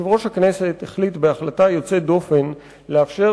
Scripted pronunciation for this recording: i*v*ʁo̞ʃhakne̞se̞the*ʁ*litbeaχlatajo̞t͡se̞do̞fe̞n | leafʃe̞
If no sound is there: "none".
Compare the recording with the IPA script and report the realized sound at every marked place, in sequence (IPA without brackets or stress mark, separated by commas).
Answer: v, χ